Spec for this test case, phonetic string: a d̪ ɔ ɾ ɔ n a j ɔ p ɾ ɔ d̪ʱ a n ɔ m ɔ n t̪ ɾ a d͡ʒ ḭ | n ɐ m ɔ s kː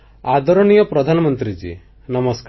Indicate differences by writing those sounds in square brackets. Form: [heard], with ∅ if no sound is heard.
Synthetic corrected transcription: a d̪ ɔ ɾ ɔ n [i] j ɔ p ɾ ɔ d̪ʱ a n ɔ m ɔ n t̪ ɾ [i] d͡ʒ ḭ | n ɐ m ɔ s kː